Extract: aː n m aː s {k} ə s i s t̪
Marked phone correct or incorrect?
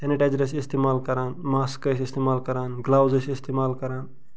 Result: correct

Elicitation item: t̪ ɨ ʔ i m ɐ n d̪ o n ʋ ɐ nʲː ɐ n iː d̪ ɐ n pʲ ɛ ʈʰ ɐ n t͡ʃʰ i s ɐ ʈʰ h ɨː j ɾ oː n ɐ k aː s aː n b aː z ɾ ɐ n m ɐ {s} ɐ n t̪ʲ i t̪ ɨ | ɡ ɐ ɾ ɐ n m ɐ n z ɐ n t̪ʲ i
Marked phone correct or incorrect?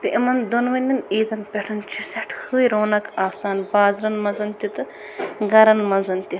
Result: incorrect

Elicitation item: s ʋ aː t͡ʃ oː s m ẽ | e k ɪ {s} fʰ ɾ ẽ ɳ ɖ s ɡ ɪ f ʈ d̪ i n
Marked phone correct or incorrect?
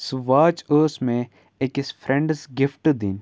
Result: correct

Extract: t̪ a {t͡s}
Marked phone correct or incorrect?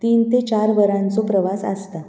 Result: incorrect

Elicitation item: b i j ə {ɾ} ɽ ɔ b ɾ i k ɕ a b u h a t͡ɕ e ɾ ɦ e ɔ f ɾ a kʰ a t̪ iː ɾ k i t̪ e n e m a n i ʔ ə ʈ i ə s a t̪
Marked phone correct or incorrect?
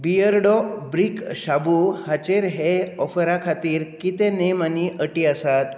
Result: correct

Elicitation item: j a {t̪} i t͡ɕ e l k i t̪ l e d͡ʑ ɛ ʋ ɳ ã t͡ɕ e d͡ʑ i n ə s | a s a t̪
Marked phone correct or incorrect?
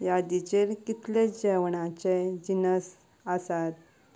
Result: incorrect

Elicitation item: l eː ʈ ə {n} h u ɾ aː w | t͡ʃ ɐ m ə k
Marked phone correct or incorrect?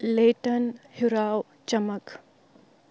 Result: correct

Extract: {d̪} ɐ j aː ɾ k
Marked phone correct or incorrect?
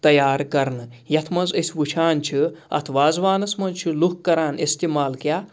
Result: incorrect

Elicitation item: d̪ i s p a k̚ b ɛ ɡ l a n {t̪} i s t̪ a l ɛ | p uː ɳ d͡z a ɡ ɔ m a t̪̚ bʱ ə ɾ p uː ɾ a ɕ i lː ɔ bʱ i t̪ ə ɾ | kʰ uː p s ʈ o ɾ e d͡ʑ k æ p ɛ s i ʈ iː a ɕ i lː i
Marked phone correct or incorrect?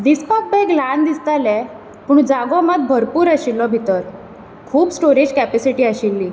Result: incorrect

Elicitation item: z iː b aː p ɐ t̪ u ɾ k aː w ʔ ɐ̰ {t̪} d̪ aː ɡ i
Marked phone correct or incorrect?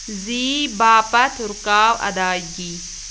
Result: incorrect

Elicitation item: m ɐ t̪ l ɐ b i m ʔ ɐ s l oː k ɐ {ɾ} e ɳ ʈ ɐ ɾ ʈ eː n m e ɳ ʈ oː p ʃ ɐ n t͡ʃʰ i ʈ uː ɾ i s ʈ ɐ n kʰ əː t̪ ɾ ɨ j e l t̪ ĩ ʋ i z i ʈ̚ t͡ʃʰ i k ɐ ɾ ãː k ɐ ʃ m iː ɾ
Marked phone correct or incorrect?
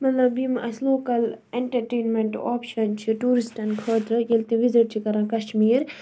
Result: incorrect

